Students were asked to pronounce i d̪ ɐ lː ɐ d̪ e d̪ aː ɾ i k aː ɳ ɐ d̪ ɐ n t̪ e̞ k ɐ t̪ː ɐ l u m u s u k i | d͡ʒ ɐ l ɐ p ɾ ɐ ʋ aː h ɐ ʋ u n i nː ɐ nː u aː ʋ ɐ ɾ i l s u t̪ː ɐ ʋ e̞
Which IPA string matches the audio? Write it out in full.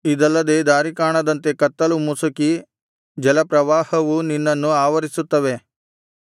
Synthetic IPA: i d̪ ɐ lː ɐ d̪ e d̪ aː ɾ i k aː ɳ ɐ d̪ ɐ n t̪ e̞ k ɐ t̪ː ɐ l u m u s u k i | d͡ʒ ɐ l ɐ p ɾ ɐ ʋ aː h ɐ ʋ u n i nː ɐ nː u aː ʋ ɐ ɾ i s u t̪ː ɐ ʋ e̞